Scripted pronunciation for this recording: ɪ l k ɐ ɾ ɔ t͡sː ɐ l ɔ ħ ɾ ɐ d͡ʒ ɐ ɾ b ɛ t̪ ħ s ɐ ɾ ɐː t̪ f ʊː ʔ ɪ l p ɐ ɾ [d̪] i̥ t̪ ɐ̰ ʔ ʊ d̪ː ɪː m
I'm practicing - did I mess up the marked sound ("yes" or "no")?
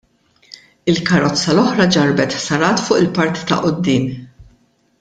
yes